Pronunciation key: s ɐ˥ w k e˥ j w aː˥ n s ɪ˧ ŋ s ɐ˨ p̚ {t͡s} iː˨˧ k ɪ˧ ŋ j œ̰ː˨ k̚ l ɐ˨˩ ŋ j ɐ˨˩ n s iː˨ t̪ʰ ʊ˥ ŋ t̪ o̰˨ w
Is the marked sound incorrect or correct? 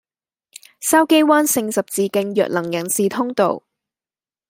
correct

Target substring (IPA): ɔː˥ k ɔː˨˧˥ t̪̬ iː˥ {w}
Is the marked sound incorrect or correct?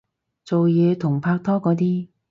incorrect: none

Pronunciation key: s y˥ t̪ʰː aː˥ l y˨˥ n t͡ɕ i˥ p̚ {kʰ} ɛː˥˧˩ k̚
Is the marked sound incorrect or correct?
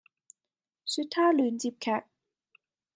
correct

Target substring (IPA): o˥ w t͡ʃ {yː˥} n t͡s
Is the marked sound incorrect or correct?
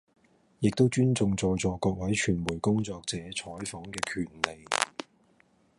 correct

